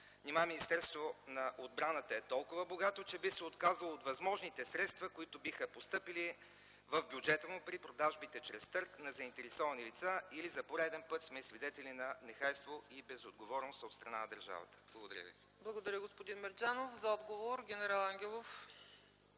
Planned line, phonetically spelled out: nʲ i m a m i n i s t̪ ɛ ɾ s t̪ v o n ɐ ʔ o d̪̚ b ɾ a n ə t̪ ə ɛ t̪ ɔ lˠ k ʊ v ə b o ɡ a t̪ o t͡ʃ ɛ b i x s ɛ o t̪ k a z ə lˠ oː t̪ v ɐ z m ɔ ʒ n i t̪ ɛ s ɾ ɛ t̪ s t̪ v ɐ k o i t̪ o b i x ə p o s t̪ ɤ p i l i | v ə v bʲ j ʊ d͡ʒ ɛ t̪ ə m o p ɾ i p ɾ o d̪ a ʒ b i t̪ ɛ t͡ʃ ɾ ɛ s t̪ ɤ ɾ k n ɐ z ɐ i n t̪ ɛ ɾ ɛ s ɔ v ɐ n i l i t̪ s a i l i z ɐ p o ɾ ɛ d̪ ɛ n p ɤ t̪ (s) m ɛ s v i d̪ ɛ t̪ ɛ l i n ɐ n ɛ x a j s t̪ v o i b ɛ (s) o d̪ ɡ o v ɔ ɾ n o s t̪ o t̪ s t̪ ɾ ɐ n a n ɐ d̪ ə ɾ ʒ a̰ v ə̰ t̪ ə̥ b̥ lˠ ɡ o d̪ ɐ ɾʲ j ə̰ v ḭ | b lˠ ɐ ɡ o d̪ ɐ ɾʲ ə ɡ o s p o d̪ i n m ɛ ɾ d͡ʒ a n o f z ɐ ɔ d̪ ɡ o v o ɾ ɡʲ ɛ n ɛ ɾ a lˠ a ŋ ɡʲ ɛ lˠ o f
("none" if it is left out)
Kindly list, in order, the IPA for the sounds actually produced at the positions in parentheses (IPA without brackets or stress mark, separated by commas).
s, z